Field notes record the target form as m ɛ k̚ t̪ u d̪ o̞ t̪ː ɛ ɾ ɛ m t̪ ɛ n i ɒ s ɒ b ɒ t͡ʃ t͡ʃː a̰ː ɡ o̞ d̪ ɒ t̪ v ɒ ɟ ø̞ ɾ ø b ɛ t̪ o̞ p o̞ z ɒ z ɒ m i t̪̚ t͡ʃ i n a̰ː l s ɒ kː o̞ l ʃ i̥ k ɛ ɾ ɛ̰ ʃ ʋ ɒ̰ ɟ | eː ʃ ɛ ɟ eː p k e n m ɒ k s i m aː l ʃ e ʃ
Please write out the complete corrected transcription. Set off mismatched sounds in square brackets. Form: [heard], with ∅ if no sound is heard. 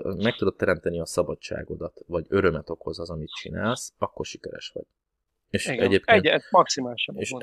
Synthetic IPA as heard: m ɛ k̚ t̪ u d̪ o̞ t̪ː ɛ ɾ ɛ m t̪ ɛ n i ɒ s ɒ b ɒ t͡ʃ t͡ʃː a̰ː ɡ o̞ d̪ ɒ t̪ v ɒ ɟ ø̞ ɾ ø [m] ɛ t̪ o̞ [k] o̞ z ɒ z ɒ m i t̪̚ t͡ʃ i n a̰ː l s ɒ kː o̞ [r] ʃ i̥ k ɛ ɾ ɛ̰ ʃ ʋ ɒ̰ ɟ | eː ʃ ɛ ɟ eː p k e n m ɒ k s i m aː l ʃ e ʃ